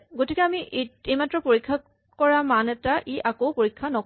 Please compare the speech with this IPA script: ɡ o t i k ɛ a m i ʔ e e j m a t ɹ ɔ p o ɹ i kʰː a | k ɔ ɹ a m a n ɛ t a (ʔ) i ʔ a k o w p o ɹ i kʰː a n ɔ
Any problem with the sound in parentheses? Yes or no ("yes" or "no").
no